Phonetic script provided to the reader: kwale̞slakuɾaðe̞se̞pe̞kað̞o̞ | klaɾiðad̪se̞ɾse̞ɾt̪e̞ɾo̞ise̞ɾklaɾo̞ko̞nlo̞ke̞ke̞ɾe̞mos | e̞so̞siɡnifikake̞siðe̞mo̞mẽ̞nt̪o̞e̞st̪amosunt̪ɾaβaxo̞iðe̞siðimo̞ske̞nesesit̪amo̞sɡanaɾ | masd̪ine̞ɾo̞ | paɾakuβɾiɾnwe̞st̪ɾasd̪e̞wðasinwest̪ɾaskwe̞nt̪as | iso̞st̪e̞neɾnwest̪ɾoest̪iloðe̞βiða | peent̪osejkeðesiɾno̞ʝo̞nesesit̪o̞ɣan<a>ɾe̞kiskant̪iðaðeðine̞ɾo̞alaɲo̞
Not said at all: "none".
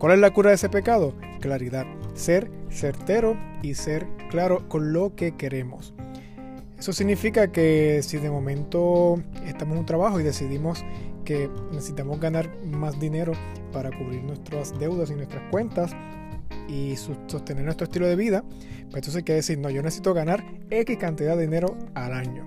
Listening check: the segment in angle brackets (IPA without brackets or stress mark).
a